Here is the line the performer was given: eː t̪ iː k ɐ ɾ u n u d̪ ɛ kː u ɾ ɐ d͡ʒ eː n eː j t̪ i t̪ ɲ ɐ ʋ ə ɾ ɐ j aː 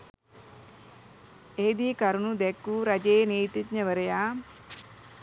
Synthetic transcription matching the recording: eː d̪ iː k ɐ ɾ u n u d̪ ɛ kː u ɾ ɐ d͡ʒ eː n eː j t̪ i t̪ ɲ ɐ ʋ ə ɾ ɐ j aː